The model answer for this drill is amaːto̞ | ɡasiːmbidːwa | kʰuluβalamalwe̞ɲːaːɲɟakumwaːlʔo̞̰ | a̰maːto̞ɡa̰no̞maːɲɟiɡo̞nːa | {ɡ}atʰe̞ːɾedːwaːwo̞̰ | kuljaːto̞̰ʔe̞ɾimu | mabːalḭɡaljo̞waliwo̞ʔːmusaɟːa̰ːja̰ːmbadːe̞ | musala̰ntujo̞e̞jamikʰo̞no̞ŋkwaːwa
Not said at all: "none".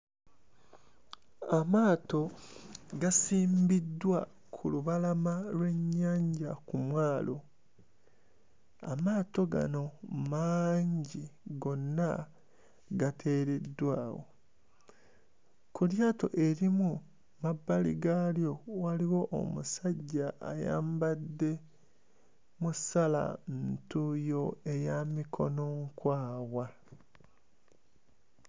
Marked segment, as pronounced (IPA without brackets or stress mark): ɡ